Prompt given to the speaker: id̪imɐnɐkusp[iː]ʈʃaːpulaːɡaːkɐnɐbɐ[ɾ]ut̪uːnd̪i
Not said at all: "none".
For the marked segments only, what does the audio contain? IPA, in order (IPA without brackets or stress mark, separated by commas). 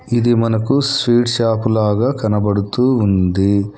iː, ɽ